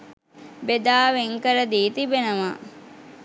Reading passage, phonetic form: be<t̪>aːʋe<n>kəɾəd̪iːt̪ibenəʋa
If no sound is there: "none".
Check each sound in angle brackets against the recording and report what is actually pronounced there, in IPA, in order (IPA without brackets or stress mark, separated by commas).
d̪, ŋ